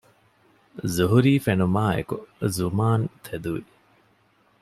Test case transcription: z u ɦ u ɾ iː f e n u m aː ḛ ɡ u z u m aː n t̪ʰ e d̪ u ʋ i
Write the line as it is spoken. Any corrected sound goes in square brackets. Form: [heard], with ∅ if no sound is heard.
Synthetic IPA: z u ɦ u ɾ iː f e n u m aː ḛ [k] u z u m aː n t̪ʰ e d̪ u ʋ i